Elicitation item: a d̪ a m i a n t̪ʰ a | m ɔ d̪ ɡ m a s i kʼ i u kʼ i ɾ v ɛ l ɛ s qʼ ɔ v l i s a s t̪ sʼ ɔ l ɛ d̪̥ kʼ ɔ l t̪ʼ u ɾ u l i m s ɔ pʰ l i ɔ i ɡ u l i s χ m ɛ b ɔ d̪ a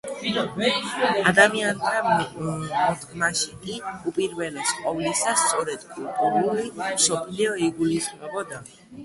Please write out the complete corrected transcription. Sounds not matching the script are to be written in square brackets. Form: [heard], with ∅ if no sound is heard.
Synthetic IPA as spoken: a d̪ a m i a n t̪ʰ a | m ɔ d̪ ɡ m a [ʃ] i kʼ i u [pʼ] i ɾ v ɛ l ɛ s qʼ ɔ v l i s a s t̪ sʼ ɔ [ɾ] ɛ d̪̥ kʼ [u] l t̪ʼ u ɾ u l i m s ɔ pʰ l i ɔ i ɡ u l i s χ m ɛ b ɔ d̪ a